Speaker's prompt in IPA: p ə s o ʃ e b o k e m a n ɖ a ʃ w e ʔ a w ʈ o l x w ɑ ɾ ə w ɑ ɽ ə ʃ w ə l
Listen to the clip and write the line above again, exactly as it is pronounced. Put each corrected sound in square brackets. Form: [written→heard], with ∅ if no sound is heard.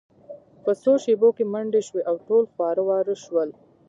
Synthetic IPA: p ə s o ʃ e b o k e m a [n→ɳ] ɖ [a→e] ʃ w e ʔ a w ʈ o l x w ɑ ɾ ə w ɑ [ɽ→ɾ] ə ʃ w ə l